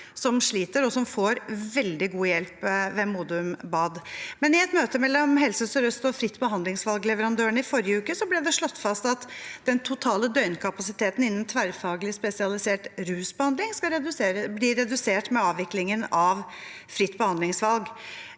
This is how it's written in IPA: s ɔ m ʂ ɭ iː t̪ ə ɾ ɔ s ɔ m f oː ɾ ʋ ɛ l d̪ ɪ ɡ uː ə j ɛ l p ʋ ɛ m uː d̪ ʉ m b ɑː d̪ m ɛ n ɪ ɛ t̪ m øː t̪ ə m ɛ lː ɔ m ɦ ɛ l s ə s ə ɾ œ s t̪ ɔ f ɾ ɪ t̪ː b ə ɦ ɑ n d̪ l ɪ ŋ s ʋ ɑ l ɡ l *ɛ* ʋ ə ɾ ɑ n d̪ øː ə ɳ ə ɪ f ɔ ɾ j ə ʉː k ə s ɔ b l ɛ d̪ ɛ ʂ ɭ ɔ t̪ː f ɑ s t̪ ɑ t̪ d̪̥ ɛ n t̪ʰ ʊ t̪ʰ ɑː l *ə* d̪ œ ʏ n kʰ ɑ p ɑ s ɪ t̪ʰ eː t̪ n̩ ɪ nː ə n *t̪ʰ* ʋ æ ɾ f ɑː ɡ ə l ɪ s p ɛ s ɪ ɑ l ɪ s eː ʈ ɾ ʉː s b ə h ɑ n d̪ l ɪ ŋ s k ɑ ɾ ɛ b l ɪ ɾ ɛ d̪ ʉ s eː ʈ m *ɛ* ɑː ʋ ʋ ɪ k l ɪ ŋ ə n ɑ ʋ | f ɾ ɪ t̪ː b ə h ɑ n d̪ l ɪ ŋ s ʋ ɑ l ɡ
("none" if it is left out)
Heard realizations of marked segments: ɛ, ə, t̪ʰ, ɛ

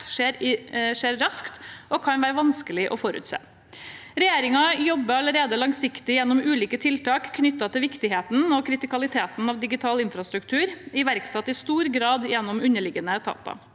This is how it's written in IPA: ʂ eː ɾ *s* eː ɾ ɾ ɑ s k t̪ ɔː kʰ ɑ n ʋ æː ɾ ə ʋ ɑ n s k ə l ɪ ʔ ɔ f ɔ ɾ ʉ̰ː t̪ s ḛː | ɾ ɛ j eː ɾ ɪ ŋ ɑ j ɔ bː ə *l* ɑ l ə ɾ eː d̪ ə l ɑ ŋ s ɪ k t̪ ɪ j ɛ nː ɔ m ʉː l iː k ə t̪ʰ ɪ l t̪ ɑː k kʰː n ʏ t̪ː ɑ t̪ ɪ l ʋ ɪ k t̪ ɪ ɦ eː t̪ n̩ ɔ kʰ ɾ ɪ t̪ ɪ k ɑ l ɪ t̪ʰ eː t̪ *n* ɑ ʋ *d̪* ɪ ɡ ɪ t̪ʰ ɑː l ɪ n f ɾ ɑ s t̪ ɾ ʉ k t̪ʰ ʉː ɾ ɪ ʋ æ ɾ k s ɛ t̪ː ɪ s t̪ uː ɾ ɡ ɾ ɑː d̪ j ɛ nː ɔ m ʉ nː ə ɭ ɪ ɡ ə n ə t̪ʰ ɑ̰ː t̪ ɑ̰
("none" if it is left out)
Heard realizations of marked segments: ʂ, ɾ, n, d̪

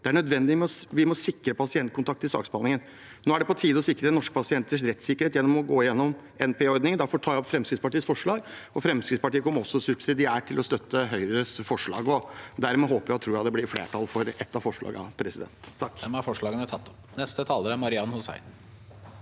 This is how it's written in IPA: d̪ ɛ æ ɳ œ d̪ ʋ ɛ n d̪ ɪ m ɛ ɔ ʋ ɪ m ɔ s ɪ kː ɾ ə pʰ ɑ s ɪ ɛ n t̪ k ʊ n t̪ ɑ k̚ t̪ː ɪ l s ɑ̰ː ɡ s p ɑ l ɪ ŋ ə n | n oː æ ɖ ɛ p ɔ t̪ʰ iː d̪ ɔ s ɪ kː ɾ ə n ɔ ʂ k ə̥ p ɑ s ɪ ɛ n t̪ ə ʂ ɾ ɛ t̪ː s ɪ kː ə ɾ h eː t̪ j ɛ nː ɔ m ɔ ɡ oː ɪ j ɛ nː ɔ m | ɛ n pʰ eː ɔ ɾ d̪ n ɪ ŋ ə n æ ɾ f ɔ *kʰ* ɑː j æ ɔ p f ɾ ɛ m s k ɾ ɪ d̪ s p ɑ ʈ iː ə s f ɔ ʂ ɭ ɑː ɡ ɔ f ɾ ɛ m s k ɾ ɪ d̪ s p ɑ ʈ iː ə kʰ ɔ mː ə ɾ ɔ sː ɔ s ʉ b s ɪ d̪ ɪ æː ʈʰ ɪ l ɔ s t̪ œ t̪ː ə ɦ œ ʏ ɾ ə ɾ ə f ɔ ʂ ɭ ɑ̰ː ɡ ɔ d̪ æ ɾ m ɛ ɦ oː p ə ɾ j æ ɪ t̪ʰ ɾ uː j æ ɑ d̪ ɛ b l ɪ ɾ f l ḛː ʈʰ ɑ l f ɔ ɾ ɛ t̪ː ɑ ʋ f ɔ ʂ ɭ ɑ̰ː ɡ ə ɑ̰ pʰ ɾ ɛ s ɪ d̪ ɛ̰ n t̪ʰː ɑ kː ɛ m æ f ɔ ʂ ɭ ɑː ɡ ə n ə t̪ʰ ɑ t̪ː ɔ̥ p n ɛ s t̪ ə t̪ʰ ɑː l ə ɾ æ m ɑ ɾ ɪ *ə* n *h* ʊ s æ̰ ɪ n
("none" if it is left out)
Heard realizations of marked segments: ʈʰ, ɑ, h

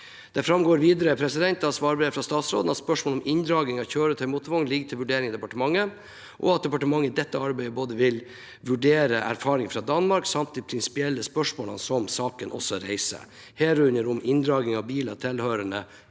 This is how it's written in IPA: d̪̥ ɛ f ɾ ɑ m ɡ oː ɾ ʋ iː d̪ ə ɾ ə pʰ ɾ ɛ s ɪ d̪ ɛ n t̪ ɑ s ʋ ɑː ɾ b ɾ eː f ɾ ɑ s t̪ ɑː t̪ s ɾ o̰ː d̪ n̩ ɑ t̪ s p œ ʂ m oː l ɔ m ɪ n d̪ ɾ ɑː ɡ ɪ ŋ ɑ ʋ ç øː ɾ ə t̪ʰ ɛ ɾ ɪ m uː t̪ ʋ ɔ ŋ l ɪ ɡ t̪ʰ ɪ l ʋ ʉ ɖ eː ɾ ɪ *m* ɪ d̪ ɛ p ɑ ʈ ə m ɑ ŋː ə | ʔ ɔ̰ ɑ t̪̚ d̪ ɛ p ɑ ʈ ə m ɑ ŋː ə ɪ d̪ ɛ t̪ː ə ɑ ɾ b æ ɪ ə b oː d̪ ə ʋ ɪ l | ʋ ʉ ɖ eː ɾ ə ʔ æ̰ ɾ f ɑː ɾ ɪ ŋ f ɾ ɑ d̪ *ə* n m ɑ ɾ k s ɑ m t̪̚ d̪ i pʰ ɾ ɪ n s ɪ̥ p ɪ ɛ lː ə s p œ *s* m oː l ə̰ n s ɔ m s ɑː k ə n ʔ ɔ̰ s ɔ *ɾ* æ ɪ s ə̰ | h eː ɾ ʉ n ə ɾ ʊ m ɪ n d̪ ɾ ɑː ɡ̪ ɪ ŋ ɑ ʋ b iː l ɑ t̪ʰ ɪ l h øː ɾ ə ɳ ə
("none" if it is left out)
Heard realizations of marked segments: ŋ, ɑ, ʂ, ɾ

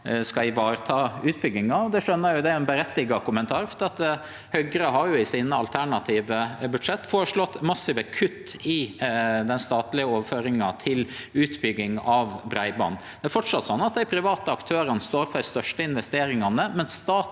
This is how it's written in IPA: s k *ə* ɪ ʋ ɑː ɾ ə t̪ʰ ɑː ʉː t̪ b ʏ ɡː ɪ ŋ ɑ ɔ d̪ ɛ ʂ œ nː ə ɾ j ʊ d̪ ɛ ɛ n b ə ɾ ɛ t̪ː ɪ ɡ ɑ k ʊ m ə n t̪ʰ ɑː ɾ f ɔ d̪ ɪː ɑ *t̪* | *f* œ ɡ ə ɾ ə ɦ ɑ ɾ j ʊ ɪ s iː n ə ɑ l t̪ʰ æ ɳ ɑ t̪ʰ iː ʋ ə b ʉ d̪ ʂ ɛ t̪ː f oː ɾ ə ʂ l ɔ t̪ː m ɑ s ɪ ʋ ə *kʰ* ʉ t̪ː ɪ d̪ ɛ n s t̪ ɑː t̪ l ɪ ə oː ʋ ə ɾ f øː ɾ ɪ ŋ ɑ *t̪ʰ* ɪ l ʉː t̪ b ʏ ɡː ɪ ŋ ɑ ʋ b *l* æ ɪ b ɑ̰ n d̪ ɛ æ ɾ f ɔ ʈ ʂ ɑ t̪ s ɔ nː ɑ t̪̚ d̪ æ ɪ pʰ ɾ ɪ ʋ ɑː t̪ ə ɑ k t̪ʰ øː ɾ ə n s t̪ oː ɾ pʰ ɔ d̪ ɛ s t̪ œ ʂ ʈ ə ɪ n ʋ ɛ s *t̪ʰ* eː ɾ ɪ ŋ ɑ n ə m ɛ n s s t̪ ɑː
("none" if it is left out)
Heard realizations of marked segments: ɑ, t̪, h, kʰ, t̪ʰ, ɾ, t̪

